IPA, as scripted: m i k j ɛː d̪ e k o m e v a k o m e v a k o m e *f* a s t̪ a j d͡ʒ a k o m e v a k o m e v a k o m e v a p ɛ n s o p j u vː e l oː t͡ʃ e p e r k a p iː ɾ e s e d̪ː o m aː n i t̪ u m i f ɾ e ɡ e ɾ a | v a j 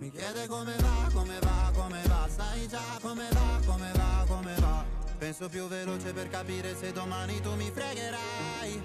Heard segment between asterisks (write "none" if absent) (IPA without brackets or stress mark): v